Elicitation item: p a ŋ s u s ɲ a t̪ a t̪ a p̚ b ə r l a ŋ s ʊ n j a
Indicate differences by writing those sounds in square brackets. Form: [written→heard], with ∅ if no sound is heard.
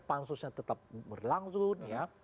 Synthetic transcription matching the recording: p a [ŋ→n] s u s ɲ a t̪ [a→ə] t̪ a p̚ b ə r l a ŋ s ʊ n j a